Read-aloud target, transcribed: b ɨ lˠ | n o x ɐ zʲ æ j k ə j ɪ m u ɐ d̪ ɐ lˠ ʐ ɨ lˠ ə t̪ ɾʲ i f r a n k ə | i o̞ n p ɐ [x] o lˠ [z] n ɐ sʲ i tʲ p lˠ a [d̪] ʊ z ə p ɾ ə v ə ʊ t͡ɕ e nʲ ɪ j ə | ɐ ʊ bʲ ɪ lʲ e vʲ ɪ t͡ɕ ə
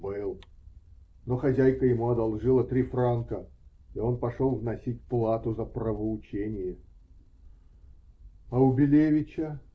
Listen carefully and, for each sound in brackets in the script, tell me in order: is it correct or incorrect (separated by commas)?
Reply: incorrect, incorrect, incorrect